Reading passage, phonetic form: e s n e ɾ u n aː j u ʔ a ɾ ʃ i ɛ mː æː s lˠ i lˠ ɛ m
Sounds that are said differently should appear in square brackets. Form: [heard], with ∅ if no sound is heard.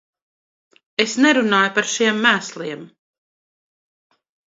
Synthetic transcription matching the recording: e s n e ɾ u n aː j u [p] a ɾ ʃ i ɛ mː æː s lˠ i [∅] ɛ m